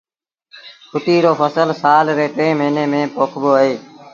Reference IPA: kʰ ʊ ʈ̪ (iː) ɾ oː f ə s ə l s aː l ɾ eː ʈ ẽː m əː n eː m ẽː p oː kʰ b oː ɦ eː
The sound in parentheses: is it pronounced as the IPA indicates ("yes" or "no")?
yes